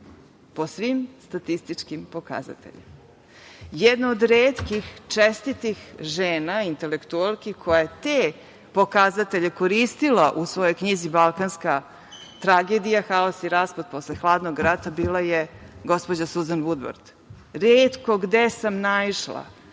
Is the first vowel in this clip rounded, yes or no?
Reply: yes